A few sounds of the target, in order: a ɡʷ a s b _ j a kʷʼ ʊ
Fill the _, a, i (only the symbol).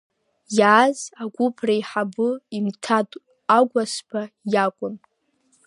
a